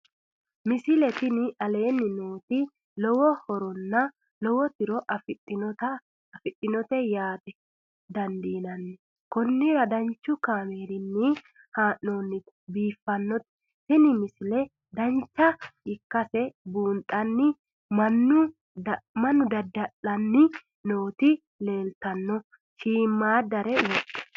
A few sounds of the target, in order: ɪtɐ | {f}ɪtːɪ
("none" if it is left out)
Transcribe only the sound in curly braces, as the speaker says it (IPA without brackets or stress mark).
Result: f